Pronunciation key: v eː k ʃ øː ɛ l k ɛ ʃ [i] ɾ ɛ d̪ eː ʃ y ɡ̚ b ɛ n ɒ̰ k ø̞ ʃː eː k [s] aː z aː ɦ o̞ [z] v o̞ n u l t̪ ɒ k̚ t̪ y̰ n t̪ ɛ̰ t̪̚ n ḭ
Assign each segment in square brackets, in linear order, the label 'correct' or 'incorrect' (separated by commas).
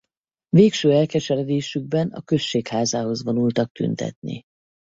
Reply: incorrect, incorrect, correct